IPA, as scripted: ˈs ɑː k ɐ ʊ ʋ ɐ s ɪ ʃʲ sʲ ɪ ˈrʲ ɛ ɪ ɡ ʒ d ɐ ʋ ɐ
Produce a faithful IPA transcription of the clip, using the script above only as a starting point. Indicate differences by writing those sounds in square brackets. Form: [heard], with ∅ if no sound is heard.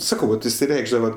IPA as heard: ˈs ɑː k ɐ ʊ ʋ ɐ [t] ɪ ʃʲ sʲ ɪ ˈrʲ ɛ ɪ ɡ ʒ d ɐ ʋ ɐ